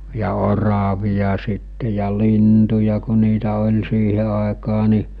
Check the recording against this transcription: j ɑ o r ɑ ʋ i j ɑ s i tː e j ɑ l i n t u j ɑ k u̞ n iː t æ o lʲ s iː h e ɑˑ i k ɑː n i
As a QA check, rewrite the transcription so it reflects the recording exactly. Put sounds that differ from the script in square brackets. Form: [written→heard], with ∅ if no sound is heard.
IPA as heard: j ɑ o r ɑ ʋ i j ɑ s i tː e j ɑ l i n t u j ɑ k u̞ n iː t æ o lʲ s iː h e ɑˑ [i→e] k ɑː n i